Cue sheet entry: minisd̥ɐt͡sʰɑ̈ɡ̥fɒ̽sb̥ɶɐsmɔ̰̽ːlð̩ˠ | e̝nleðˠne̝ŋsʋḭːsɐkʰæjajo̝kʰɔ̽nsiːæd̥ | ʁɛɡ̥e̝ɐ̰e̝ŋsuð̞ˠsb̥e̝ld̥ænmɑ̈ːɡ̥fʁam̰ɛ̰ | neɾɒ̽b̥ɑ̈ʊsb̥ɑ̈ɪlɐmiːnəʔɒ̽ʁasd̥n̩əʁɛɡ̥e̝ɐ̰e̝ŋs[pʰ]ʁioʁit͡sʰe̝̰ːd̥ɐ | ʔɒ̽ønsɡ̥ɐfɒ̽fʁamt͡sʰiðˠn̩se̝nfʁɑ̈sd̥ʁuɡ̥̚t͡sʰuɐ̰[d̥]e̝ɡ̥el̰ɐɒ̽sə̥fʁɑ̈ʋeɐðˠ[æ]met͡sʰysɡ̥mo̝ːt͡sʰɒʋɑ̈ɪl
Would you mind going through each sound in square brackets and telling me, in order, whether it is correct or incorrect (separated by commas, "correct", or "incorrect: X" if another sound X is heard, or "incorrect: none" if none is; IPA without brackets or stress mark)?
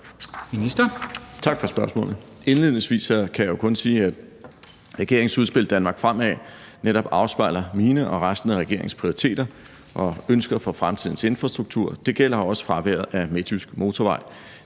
correct, correct, correct